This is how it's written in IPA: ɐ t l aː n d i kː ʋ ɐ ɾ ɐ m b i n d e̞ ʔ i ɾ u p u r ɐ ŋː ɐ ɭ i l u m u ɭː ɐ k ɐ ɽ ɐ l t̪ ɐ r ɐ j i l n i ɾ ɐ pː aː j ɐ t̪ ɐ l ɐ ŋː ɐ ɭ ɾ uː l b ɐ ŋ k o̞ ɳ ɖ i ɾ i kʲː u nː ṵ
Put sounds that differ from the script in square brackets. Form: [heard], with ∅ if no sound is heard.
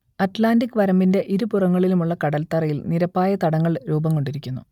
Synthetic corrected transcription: ɐ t l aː n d i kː ʋ ɐ ɾ ɐ m b i n d e̞ ʔ i ɾ u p u r ɐ ŋː ɐ ɭ i l u m u ɭː ɐ k ɐ ɽ ɐ l t̪ ɐ r ɐ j i l n i ɾ ɐ pː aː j ɐ t̪ ɐ [ɽ] ɐ ŋː ɐ ɭ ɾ uː [∅] b ɐ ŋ k o̞ ɳ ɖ i ɾ i kʲː u nː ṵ